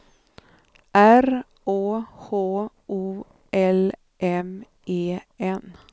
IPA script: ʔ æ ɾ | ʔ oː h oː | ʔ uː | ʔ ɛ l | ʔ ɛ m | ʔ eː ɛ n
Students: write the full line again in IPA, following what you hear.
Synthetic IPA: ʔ æ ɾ | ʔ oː h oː | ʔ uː | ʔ ɛ l | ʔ ɛ m | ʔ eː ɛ n

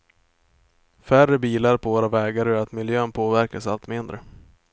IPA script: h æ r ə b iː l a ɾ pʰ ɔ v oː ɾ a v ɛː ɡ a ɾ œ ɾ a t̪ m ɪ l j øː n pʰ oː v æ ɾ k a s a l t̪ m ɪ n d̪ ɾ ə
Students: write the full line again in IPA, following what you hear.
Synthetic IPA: f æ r ə b iː l a ɾ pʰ ɔ v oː ɾ a v ɛː ɡ a ɾ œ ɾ a t̪ m ɪ l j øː n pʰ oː v æ ɾ k a s a l t̪ m ɪ n d̪ ɾ ə

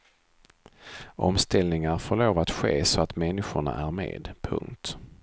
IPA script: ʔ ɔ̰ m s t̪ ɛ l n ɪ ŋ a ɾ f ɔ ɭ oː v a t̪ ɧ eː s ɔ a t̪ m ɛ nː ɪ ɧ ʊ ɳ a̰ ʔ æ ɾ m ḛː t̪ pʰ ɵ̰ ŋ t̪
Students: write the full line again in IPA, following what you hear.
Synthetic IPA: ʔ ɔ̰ m s t̪ ɛ l n ɪ ŋ a ɾ f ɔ ɭ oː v a t̪ ɧ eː s ɔ a t̪ m ɛ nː ɪ ɧ ʊ ɳ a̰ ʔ æ ɾ m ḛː d̪ pʰ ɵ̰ ŋ t̪

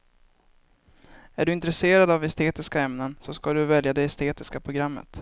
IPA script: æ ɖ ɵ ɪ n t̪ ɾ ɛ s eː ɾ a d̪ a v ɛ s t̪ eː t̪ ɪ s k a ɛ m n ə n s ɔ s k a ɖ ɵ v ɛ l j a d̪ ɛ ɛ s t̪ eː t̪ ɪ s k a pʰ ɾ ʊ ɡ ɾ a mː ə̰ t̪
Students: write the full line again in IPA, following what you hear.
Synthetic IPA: æ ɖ ɵ ɪ n t̪ ɾ ɛ s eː ɾ a d̪ a v ɛ s t̪ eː t̪ ɪ s k a ɛ m n ə n s ɔ s k a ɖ ɵ v ɛ l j a d̪ ɛ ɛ s t̪ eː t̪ ɪ s k a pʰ ɾ ʊ ɡ ɾ a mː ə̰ t̪

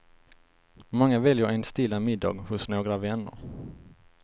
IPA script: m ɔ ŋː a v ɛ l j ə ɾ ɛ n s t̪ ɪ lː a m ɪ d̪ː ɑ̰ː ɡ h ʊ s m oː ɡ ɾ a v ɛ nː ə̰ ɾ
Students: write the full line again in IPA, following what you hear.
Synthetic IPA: m ɔ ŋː a v ɛ l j ə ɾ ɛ n s t̪ ɪ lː a m ɪ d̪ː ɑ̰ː ɡ h ʊ s n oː ɡ ɾ a v ɛ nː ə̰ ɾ

